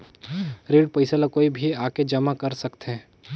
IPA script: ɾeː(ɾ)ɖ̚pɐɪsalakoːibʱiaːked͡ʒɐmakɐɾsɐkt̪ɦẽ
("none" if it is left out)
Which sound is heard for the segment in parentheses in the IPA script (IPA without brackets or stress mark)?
none